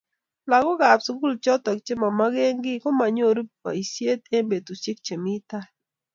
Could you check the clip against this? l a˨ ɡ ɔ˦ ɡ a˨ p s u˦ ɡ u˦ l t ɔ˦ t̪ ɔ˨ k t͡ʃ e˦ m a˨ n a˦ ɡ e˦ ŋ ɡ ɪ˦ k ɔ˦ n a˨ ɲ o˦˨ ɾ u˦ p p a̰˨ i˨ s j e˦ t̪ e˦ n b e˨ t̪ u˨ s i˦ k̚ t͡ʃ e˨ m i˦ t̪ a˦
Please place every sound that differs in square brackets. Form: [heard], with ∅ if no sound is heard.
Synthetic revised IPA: l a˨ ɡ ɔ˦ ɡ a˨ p s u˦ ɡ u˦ l [t͡ʃ] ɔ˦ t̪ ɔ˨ k t͡ʃ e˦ m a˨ [m] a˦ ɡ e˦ ŋ ɡ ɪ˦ k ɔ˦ [m] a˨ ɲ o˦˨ ɾ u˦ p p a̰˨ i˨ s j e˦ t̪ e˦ [m] b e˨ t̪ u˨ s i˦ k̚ t͡ʃ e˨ m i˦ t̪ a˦